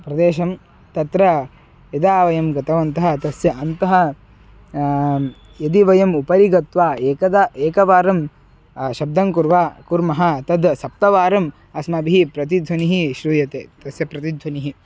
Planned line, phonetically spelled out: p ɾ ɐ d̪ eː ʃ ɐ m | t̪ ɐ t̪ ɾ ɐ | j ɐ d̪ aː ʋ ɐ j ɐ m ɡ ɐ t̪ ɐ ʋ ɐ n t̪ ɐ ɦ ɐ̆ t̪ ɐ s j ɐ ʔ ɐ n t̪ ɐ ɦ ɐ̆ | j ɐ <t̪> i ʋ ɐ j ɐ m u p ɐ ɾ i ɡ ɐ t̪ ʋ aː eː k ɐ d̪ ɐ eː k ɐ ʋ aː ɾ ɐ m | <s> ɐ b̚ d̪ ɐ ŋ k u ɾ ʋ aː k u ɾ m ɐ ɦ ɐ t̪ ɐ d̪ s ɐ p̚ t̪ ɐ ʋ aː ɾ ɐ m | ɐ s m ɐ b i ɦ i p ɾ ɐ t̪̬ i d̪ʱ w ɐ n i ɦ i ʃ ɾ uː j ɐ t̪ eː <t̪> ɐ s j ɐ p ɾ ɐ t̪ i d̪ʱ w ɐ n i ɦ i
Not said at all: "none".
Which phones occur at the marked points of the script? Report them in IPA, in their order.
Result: d̪, ʃ, t̪

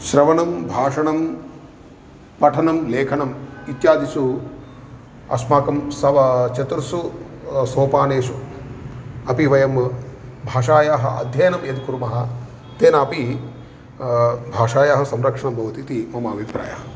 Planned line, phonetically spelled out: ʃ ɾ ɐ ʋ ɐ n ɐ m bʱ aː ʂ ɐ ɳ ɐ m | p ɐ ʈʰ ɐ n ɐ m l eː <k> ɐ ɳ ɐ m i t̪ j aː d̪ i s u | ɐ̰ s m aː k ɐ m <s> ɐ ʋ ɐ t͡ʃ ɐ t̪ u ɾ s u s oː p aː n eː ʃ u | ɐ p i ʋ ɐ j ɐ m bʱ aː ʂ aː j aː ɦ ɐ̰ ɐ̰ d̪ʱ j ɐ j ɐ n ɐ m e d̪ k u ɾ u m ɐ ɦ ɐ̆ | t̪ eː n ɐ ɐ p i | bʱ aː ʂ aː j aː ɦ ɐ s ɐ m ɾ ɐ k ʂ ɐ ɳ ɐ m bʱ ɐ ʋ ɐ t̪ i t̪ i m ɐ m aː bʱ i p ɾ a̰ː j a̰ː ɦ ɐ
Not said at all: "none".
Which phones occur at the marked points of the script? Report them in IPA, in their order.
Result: kʰ, s

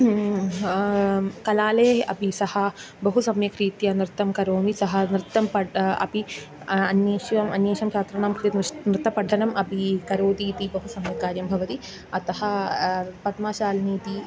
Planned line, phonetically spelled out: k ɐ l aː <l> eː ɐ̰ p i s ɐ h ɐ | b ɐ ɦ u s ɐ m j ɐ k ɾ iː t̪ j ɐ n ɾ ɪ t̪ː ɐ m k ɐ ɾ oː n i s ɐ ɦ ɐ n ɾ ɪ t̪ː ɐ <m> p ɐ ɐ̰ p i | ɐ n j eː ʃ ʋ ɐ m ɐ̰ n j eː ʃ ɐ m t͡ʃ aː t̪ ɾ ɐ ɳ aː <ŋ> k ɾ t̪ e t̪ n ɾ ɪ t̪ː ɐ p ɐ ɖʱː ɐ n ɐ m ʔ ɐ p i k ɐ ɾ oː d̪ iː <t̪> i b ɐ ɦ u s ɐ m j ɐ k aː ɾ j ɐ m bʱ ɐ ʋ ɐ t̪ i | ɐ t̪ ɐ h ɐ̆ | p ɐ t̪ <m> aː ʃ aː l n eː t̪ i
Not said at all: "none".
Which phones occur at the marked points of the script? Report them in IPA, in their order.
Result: l, m, m, t̪, m

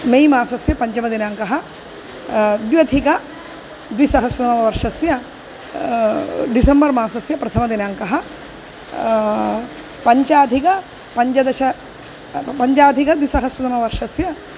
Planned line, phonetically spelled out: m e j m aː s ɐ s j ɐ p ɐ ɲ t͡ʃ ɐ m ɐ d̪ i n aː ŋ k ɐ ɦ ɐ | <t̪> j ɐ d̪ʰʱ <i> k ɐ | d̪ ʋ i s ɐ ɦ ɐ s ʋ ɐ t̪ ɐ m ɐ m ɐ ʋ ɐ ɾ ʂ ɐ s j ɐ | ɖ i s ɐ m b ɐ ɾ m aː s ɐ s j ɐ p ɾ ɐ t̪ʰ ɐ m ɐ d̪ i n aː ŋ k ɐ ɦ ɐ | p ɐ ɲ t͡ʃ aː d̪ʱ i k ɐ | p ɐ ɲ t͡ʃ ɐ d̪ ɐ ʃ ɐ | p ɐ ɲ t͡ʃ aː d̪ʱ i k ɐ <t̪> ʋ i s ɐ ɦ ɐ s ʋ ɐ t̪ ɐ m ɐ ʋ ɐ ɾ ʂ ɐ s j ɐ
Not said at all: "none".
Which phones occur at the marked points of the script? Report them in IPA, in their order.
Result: d̪, i, d̪

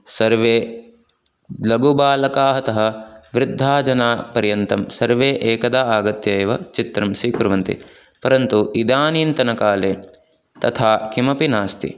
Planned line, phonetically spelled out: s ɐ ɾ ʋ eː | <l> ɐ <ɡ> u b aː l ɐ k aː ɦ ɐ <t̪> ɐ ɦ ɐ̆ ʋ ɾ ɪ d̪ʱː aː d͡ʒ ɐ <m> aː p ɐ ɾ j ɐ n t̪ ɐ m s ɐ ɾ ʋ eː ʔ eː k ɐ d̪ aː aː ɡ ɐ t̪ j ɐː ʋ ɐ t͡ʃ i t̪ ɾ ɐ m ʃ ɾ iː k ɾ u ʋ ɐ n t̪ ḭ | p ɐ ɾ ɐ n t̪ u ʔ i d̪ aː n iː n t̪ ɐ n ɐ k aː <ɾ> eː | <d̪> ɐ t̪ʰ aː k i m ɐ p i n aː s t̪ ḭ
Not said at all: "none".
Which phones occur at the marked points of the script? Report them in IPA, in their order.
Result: l, ɡ, t̪, n, l, t̪

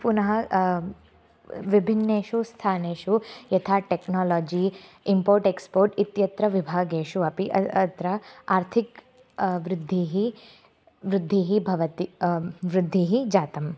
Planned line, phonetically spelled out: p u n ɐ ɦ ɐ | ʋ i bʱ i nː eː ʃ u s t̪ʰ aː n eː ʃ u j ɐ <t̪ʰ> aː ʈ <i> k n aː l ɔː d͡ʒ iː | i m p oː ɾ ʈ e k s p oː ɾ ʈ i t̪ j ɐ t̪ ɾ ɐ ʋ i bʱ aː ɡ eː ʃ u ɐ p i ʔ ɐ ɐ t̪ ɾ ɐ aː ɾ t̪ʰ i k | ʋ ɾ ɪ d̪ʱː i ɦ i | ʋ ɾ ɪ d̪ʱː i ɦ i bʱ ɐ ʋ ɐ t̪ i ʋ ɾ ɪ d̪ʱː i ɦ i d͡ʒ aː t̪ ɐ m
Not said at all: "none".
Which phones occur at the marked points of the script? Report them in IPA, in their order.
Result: t̪ʰ, e

